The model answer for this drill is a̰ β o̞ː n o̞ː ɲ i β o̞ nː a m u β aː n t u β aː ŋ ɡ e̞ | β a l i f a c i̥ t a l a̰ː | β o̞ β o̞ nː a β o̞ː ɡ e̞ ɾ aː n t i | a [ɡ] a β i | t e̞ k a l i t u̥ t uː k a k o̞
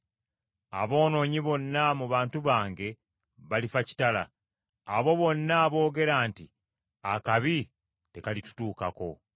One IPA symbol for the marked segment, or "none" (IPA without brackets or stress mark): k